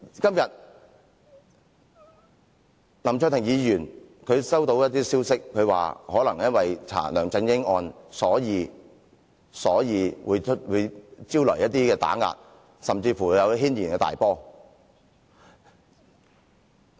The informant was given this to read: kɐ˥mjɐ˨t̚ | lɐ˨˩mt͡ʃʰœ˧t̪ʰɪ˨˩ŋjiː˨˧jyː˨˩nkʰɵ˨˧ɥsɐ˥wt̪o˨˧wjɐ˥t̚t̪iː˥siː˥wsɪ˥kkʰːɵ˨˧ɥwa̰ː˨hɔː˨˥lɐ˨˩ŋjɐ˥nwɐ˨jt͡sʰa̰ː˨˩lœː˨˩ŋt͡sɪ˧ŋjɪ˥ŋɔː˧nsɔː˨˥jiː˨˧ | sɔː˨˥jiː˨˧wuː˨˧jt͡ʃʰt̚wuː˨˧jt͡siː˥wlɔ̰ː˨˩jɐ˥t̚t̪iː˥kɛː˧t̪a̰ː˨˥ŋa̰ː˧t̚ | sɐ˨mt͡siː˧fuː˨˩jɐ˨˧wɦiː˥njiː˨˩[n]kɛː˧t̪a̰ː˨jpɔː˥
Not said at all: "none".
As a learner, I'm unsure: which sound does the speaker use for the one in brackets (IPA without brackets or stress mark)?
n